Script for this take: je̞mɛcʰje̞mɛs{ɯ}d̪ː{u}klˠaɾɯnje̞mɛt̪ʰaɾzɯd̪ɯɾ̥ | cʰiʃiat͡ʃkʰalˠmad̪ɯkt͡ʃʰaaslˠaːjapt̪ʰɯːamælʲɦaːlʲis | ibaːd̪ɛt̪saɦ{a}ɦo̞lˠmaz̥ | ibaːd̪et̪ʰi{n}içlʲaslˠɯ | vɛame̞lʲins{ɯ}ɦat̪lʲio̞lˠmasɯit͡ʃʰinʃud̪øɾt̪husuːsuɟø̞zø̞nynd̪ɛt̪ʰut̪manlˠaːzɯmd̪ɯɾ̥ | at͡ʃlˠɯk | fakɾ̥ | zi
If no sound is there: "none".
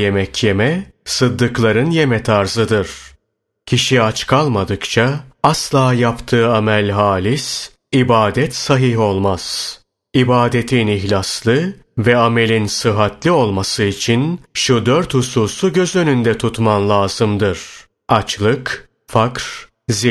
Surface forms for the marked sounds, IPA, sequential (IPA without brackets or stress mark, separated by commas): ɯ, ɯ, i, n, ɯ